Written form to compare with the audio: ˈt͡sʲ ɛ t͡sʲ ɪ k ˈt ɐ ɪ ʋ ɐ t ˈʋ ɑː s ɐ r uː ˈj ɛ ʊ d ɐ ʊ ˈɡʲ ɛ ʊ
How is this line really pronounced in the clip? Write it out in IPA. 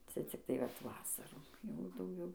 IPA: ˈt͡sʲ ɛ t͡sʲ ɪ k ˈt ɐ ɪ ʋ ɐ t ˈʋ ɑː s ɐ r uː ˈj ɛ ʊ d ɐ ʊ ˈɡʲ ɛ ʊ